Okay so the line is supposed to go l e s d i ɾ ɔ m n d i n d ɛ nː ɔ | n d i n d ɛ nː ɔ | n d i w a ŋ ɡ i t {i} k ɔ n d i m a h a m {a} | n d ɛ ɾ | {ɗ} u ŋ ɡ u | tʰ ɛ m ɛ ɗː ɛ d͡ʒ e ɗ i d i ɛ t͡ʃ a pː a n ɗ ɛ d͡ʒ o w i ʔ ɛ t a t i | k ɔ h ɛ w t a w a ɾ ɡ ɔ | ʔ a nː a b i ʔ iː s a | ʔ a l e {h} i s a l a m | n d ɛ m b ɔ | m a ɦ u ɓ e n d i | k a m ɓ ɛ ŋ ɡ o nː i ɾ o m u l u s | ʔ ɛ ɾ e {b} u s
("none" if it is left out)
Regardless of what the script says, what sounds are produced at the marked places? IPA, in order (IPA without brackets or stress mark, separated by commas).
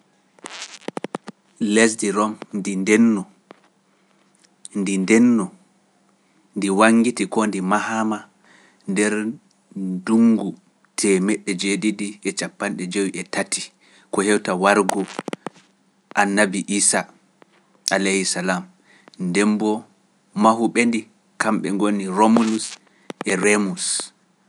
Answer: i, a, d, h, m